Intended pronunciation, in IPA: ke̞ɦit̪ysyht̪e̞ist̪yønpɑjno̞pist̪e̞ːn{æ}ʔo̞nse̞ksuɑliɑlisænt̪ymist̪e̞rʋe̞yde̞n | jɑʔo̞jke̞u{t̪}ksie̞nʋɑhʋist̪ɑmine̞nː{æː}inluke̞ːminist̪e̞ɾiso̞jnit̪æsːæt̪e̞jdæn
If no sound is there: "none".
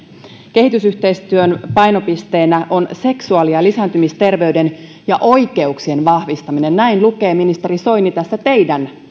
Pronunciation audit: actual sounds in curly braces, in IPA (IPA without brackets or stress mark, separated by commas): æ, none, æ